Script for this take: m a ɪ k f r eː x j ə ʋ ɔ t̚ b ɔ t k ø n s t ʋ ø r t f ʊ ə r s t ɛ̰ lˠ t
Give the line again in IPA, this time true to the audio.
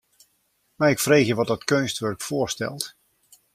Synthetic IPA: m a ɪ k f r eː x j ə ʋ ɔ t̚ d ɔ t k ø n s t ʋ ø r k f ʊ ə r s t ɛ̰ lˠ t